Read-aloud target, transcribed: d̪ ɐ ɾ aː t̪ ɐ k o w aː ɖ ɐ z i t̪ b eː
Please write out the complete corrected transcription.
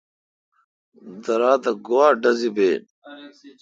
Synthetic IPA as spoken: d̪ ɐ ɾ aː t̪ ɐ ɡ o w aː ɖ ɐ z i b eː